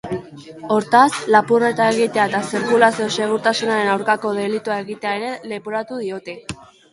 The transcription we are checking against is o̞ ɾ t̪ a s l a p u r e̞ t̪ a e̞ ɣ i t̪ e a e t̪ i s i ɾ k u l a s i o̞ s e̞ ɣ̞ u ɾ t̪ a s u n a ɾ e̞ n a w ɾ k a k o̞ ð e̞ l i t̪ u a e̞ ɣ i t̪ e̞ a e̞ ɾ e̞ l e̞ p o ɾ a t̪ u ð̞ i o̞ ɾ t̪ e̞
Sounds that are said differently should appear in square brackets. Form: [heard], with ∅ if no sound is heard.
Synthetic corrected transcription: o̞ ɾ t̪ a s l a p u r e̞ t̪ a e̞ ɣ i t̪ e a e t̪ [a] s i ɾ k u l a s i o̞ s e̞ ɣ̞ u ɾ t̪ a s u n a ɾ e̞ n a w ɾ k a k o̞ ð e̞ l i t̪ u a e̞ ɣ i t̪ e̞ a e̞ ɾ e̞ l e̞ p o ɾ a t̪ u ð̞ i o̞ [∅] t̪ e̞